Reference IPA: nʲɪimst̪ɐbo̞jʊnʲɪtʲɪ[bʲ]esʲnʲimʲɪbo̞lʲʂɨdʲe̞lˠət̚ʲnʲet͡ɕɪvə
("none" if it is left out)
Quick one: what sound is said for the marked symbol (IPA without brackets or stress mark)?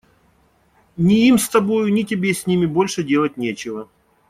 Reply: bʲ